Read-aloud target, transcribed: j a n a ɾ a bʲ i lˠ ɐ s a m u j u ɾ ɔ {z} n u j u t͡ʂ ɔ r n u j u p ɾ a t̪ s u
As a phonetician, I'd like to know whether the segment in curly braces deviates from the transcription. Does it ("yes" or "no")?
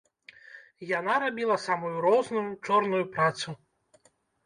no